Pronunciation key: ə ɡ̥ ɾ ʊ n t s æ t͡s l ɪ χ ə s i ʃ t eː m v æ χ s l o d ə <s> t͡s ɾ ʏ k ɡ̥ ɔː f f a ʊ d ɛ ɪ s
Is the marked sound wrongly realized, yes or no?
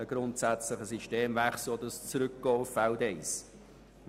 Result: no